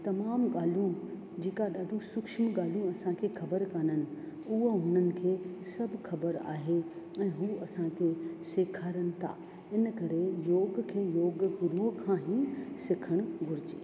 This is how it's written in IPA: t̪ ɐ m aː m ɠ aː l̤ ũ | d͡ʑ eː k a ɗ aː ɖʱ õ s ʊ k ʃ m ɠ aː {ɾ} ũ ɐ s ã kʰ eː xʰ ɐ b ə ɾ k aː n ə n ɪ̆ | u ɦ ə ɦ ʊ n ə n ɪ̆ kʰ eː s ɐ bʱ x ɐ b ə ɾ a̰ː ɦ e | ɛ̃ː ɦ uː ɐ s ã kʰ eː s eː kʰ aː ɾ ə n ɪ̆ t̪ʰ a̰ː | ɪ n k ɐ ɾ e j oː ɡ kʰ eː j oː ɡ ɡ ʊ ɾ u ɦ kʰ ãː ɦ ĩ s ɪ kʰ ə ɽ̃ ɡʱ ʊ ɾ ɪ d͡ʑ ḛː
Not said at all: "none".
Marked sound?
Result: l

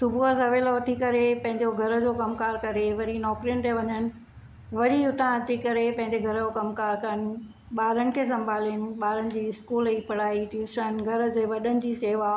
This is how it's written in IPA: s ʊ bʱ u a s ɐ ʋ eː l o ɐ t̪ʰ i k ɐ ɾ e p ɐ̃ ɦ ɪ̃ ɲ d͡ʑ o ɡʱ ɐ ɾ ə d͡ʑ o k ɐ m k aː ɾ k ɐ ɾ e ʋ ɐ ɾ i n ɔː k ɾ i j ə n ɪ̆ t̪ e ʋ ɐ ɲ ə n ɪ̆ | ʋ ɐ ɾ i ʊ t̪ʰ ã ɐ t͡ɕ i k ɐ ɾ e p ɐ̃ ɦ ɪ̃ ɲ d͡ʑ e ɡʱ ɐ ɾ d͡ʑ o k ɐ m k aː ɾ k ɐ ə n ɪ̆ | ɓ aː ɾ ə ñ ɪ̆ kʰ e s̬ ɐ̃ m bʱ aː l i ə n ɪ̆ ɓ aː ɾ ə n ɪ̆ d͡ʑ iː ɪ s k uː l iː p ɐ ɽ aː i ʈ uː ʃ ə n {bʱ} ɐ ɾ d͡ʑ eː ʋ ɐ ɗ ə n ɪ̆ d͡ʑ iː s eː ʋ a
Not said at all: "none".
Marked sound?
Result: ɡʱ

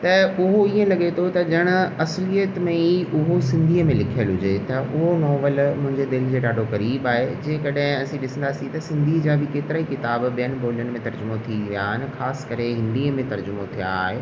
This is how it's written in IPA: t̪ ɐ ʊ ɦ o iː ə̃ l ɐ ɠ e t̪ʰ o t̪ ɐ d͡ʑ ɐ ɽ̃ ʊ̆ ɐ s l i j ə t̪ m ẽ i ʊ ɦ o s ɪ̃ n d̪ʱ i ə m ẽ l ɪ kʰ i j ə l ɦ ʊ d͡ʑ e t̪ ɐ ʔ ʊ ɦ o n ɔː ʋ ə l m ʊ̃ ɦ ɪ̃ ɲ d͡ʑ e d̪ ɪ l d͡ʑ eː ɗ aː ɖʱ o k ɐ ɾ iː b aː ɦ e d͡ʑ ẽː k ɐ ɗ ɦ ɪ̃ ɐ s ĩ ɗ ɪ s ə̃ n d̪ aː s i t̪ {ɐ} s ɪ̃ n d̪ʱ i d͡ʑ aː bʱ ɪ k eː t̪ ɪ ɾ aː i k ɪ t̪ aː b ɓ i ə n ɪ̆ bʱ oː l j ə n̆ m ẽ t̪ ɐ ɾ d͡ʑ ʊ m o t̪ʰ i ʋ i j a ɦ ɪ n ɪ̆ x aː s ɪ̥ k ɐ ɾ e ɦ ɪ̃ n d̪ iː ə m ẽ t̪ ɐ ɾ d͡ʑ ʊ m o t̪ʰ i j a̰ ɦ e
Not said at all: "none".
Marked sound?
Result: ɐ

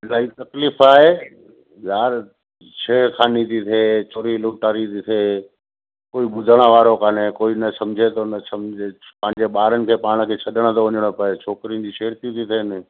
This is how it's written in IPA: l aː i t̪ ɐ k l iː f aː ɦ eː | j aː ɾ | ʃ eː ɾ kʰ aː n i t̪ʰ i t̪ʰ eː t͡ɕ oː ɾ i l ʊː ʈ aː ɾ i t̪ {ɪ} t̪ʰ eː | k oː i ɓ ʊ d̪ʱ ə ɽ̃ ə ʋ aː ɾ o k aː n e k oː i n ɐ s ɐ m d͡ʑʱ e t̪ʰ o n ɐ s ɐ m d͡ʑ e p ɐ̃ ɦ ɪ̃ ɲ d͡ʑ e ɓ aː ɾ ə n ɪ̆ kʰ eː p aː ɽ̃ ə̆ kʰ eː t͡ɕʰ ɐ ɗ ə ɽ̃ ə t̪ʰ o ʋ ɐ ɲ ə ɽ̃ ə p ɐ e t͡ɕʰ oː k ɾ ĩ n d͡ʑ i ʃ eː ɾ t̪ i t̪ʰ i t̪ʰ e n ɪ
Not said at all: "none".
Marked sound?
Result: i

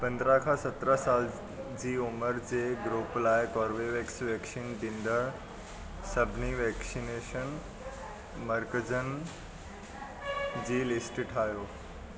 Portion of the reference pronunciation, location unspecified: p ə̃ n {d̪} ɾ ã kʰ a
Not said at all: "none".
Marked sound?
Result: d̪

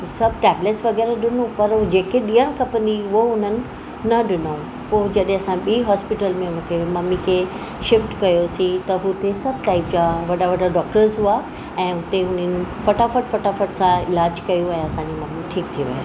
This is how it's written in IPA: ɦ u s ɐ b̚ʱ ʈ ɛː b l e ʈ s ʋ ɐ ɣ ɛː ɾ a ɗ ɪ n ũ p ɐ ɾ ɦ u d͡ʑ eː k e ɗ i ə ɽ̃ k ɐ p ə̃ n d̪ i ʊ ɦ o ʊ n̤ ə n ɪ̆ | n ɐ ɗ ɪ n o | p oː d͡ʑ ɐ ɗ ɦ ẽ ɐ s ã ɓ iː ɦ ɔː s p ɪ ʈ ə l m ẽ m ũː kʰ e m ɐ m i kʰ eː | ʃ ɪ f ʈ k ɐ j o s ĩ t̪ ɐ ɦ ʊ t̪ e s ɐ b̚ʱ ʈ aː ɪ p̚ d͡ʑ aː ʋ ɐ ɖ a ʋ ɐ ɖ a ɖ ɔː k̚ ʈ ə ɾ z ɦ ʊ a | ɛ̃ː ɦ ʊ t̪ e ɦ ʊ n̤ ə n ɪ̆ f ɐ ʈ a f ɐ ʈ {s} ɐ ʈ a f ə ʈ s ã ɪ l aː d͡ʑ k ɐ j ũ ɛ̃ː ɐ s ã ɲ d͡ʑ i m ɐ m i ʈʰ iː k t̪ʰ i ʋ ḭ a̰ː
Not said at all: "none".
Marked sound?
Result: f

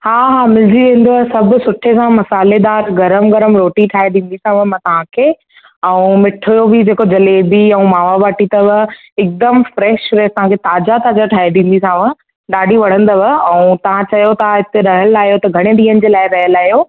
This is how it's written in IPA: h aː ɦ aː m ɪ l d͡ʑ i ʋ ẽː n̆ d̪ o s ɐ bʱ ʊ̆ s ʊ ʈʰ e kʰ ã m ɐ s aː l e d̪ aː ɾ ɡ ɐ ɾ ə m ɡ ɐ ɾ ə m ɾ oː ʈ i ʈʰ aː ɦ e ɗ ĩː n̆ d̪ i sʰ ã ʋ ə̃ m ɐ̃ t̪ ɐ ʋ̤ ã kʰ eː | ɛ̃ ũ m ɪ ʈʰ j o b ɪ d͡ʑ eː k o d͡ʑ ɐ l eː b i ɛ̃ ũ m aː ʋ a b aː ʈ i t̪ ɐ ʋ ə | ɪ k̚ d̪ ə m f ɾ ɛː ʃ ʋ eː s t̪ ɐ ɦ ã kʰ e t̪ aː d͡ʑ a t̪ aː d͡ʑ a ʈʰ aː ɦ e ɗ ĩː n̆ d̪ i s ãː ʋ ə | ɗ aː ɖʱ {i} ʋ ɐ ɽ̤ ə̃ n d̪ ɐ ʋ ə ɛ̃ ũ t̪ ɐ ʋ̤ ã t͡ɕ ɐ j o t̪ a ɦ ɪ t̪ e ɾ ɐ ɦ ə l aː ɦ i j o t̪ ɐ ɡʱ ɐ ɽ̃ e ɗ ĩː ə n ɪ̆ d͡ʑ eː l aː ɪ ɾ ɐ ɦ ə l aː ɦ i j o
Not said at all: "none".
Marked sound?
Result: i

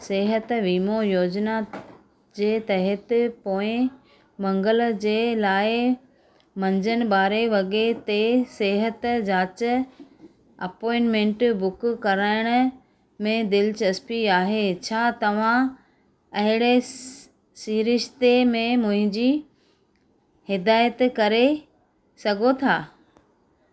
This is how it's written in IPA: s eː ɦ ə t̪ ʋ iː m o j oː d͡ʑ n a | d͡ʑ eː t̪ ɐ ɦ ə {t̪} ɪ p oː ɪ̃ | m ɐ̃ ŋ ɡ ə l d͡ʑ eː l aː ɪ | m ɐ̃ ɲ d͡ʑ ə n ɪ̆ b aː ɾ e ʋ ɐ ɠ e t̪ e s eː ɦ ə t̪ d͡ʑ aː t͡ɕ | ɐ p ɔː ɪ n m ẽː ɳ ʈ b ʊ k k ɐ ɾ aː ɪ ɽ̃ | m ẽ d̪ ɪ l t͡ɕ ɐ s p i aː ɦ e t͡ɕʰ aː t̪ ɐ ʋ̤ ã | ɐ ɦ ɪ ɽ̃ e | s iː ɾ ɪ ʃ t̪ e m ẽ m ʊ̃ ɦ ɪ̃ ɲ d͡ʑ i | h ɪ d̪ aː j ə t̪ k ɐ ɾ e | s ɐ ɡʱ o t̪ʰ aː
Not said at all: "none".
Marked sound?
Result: t̪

